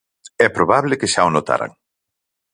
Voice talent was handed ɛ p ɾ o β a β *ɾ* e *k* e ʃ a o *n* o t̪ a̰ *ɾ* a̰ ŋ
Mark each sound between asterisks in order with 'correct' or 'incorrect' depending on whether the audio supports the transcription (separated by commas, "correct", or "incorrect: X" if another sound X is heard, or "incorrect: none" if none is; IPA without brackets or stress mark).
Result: incorrect: l, correct, correct, correct